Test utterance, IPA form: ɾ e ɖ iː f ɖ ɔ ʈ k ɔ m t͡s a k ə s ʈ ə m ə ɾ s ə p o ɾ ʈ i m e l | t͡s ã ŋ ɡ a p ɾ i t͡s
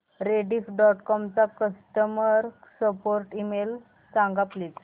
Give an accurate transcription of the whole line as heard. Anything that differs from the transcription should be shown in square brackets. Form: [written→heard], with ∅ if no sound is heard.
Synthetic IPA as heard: ɾ e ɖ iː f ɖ ɔ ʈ k ɔ m t͡s a k ə s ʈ ə m ə ɾ s ə p o ɾ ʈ i m e l | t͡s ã ŋ ɡ a p [ɾ→l] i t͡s

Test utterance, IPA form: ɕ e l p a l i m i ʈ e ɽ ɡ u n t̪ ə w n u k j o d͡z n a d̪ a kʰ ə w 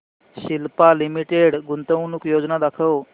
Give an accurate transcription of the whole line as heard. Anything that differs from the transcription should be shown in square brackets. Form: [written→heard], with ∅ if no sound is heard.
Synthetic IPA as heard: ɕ [e→i] l p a l i m i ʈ e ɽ ɡ u n t̪ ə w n u k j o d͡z n a d̪ a kʰ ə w

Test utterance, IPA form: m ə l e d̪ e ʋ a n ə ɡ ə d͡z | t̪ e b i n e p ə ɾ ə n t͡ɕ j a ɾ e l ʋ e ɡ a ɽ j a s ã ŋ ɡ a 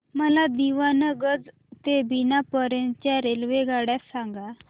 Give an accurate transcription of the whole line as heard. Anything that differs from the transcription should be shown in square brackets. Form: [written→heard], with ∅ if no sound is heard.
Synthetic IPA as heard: m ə l [e→a] d̪ [e→i] ʋ a n ə ɡ ə d͡z | t̪ e b i n [e→a] p ə ɾ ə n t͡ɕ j a ɾ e l ʋ e ɡ a ɽ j a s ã ŋ ɡ a

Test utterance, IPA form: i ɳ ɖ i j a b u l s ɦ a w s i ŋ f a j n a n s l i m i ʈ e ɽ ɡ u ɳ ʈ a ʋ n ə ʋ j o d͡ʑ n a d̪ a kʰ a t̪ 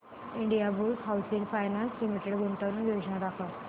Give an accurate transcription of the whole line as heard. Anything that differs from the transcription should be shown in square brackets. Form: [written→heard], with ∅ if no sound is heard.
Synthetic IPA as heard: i ɳ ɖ i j a b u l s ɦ a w s i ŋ f a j n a n s l i m i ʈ e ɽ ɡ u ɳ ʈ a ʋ n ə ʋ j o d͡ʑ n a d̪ a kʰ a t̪

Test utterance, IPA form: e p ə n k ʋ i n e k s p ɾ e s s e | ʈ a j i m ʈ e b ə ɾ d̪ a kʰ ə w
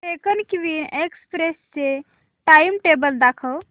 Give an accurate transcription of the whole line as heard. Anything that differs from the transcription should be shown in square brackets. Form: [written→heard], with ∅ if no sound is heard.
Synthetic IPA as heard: e [p→k] ə n k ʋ i n e k s p ɾ e s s e | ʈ a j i m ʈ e b ə [ɾ→l] d̪ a kʰ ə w

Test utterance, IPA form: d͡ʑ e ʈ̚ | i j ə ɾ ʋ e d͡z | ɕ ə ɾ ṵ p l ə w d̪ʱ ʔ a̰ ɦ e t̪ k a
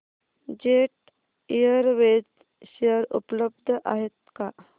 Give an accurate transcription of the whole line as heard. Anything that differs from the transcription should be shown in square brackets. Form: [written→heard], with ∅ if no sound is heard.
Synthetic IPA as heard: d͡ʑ e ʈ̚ | i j ə ɾ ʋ e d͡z | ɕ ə ɾ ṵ p l ə [w→b] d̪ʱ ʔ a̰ ɦ e t̪ k a

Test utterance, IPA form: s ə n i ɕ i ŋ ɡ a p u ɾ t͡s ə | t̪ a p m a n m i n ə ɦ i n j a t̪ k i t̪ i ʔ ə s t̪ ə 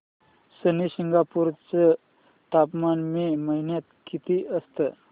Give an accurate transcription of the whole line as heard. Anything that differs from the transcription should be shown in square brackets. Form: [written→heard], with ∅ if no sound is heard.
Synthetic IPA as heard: s ə n i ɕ i ŋ ɡ a p u ɾ t͡s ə | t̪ a p m a n m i [n→m] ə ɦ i n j a t̪ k i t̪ i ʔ ə s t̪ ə

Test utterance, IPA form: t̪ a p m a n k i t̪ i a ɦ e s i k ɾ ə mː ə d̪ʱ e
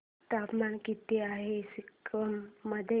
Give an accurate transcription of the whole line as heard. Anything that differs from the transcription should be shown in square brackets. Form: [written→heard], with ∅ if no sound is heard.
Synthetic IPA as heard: t̪ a p m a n k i t̪ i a ɦ e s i k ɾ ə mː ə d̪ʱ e

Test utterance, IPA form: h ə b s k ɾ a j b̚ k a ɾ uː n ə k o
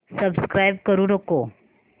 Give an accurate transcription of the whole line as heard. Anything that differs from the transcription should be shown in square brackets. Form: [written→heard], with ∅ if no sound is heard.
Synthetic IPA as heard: [h→s] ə b s k ɾ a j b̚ k [a→ə] ɾ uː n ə k o

